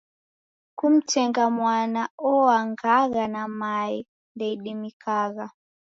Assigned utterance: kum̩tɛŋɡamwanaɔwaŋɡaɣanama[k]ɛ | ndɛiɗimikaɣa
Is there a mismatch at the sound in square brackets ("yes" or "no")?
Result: yes